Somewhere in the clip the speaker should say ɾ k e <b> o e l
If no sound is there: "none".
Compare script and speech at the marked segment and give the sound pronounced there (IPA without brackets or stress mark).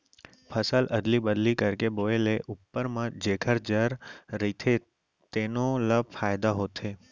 b